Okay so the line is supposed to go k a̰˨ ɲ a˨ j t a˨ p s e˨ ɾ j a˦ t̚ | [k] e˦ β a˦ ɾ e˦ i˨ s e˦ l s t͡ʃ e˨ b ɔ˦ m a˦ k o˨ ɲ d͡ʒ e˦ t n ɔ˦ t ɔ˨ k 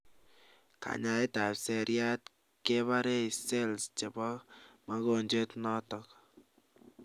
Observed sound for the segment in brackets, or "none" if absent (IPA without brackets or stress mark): k